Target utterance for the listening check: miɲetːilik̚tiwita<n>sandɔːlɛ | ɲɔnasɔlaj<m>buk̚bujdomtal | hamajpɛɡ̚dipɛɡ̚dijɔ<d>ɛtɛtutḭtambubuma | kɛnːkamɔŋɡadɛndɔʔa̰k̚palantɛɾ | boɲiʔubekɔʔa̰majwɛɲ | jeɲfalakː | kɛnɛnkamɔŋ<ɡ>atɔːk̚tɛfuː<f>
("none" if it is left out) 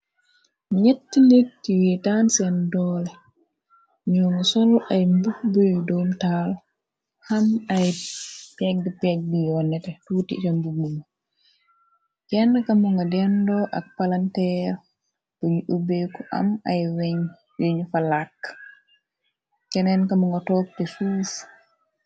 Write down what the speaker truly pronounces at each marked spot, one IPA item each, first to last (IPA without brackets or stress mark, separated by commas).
n, m, n, ɡ, s